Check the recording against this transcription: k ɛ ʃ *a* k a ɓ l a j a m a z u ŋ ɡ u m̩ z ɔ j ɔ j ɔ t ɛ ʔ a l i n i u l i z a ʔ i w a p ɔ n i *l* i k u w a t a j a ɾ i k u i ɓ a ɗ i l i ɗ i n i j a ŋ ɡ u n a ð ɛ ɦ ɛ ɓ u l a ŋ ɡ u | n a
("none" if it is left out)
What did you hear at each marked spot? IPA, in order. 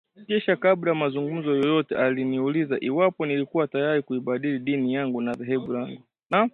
a, l

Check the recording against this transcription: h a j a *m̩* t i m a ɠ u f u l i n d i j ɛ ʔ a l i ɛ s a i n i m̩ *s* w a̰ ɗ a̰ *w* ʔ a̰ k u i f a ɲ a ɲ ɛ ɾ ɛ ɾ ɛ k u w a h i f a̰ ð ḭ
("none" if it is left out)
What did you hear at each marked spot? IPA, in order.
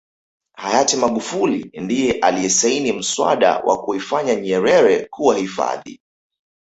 none, s, w

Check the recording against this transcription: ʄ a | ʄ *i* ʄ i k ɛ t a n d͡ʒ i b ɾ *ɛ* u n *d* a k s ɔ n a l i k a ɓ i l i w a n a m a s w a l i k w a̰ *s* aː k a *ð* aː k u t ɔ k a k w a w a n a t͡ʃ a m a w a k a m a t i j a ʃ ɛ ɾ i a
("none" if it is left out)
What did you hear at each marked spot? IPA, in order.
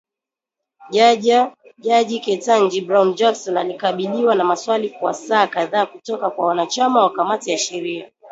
a, a, d͡ʒ, s, ð

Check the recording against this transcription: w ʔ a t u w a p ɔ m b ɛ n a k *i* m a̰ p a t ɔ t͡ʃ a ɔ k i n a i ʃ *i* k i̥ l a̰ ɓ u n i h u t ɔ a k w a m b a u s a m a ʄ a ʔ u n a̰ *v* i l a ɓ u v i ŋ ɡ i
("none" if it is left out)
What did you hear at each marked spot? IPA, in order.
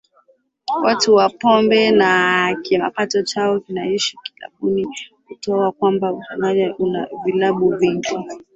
i, i, v

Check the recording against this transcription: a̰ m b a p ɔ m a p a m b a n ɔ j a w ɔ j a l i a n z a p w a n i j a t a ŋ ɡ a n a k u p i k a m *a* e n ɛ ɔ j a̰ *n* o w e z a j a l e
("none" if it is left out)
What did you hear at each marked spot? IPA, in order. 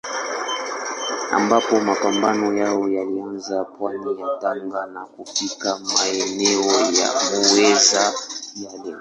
a, m

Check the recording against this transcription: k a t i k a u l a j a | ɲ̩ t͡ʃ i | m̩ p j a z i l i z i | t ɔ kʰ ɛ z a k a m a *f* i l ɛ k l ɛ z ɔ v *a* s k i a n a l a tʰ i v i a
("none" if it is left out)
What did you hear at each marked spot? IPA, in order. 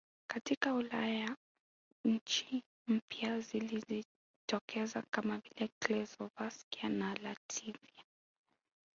v, a

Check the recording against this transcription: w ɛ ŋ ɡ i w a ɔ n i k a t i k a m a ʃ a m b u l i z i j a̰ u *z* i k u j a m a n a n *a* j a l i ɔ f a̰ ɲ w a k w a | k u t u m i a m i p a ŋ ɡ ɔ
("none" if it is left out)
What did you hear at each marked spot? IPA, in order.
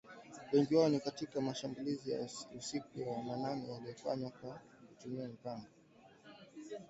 s, ɛ

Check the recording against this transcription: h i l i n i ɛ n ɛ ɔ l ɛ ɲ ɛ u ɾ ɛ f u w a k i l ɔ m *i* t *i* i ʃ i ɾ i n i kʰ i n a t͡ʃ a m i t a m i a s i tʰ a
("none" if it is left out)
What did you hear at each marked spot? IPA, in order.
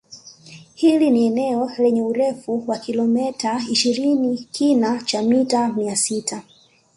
ɛ, a

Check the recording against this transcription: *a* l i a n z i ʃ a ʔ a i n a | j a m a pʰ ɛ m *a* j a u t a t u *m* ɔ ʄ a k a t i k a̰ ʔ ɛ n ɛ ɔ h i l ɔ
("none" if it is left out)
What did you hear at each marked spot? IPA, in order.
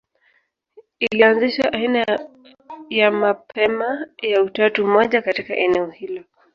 i, a, m

